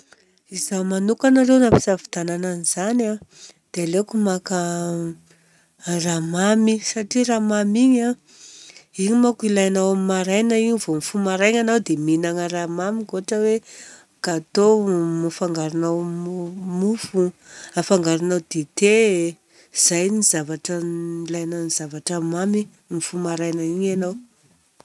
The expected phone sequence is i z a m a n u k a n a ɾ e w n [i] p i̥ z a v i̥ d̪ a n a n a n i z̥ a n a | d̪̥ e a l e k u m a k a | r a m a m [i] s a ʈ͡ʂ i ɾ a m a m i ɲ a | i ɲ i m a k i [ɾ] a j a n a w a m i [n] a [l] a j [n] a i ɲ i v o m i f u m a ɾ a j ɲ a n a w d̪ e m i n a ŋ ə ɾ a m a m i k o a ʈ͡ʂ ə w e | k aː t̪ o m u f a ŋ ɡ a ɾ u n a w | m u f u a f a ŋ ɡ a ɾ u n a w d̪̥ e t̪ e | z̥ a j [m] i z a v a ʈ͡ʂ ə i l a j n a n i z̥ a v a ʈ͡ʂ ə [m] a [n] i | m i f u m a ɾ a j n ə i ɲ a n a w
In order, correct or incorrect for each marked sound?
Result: incorrect, correct, incorrect, incorrect, incorrect, correct, incorrect, correct, incorrect

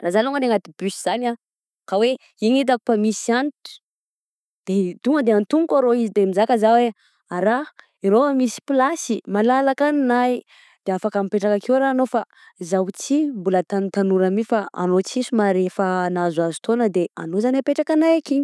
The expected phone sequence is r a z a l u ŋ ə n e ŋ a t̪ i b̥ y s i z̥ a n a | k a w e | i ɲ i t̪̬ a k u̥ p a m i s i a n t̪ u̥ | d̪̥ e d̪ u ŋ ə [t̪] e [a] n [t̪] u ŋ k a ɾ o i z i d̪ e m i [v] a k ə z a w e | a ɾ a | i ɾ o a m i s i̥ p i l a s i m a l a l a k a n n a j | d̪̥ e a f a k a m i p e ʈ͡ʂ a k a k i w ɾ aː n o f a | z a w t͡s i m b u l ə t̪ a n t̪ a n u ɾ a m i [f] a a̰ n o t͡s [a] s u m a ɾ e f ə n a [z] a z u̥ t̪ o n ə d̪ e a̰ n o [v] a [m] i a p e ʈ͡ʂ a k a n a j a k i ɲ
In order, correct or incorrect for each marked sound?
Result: incorrect, correct, correct, incorrect, correct, incorrect, correct, incorrect, incorrect

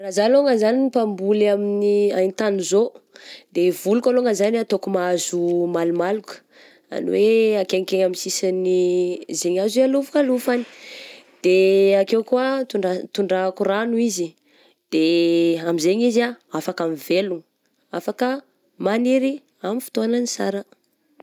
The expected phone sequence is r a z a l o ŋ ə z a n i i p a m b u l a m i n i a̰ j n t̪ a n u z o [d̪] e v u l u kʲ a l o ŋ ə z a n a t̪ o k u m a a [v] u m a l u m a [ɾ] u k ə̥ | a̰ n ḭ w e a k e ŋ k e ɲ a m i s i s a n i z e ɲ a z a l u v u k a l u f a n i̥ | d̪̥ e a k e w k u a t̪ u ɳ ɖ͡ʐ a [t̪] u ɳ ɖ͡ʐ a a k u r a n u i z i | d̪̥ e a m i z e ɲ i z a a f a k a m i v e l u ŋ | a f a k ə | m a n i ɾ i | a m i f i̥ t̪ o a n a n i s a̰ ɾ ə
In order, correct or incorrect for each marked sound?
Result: correct, incorrect, incorrect, correct

